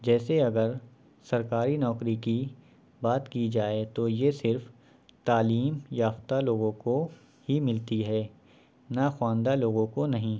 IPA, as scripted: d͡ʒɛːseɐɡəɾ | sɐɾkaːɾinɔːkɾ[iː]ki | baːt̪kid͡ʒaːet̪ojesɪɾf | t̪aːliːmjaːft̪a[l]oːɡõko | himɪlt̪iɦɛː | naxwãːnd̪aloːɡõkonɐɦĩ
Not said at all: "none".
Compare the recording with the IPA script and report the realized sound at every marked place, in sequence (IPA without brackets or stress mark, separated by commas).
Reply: i, l